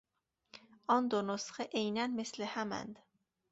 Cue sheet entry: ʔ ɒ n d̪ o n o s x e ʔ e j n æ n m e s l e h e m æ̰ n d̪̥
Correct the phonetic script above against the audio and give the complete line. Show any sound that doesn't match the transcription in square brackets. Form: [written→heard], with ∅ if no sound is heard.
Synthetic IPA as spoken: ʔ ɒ n d̪ o n o s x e ʔ e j n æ n m e s l e h [e→æ] m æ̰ n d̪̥